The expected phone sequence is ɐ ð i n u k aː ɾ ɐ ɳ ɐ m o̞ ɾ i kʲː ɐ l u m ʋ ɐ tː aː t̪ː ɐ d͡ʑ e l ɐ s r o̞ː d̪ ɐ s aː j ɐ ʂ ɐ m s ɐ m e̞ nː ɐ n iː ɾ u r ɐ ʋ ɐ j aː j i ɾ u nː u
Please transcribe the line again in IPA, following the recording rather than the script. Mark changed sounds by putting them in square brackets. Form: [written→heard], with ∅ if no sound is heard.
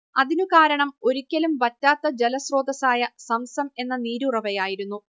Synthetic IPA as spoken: ɐ ð i n u k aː ɾ ɐ ɳ ɐ m o̞ ɾ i kʲː ɐ l u m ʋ ɐ tː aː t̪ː ɐ d͡ʑ e l ɐ s r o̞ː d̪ ɐ s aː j ɐ [ʂ→s] ɐ m s ɐ m e̞ nː ɐ n iː ɾ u r ɐ ʋ ɐ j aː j i ɾ u nː u